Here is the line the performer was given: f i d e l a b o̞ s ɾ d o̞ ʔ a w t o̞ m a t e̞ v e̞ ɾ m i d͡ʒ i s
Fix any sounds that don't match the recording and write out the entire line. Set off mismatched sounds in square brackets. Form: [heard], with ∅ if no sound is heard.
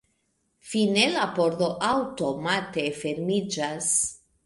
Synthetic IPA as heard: f i [n] e l a [p] o̞ [∅] ɾ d o̞ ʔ a w t o̞ m a t e̞ [f] e̞ ɾ m i d͡ʒ [a] s